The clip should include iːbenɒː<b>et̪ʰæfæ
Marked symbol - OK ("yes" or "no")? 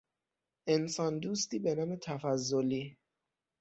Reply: no